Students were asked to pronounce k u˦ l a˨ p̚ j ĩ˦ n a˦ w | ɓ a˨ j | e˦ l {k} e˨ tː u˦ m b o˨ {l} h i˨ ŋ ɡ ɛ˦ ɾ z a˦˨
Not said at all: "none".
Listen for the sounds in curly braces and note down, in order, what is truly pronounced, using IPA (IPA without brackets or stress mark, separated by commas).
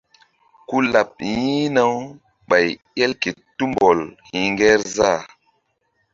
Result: k, l